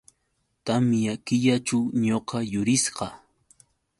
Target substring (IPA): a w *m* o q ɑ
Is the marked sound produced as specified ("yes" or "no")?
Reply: no